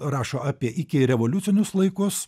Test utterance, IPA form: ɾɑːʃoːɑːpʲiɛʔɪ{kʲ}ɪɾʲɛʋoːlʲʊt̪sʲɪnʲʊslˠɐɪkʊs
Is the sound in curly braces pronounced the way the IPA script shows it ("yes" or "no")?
yes